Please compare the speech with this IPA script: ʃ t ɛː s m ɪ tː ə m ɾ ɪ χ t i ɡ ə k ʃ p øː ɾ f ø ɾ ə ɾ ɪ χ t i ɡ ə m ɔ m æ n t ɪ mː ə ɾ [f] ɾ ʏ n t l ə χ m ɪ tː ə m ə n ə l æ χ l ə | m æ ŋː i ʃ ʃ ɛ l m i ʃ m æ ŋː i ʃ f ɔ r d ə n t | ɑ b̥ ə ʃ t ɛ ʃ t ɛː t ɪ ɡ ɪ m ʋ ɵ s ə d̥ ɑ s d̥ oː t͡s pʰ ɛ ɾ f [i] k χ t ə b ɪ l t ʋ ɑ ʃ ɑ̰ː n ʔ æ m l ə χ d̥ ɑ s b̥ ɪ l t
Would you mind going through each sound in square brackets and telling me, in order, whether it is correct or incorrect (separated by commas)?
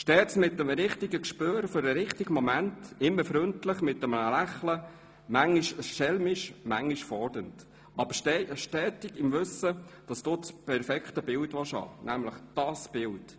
correct, incorrect